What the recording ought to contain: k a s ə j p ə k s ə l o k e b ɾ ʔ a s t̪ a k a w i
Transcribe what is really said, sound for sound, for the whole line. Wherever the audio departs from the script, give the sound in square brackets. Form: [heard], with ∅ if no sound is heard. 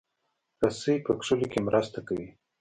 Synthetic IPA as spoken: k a s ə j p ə k [ʂ] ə l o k e [m] ɾ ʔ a s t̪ a k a w i